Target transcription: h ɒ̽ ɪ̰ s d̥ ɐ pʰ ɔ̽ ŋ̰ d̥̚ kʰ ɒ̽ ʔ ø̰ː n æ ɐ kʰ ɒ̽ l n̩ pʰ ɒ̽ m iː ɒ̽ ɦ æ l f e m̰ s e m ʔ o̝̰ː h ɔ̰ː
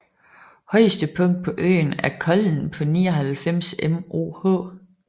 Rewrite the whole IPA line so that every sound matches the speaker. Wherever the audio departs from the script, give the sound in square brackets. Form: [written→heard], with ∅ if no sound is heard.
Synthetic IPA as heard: h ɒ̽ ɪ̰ s d̥ [ɐ→ə] pʰ ɔ̽ ŋ̰ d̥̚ [kʰ→pʰ] ɒ̽ ʔ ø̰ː n æ ɐ kʰ ɒ̽ l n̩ pʰ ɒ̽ [m→n] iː ɒ̽ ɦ æ l f e m̰ s e m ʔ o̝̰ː h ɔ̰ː